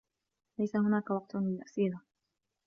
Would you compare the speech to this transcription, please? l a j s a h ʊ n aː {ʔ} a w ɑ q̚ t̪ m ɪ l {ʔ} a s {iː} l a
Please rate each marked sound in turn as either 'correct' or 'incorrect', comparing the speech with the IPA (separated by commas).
incorrect, correct, correct